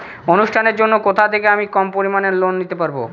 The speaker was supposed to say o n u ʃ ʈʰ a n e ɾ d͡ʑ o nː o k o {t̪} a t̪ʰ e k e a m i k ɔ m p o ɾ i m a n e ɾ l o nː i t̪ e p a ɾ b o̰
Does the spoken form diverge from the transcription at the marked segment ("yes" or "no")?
yes